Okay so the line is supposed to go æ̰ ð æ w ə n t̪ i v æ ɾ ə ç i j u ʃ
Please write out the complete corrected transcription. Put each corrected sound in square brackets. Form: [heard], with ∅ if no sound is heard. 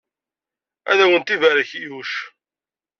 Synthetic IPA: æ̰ ð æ w ə n t̪ i v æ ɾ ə ç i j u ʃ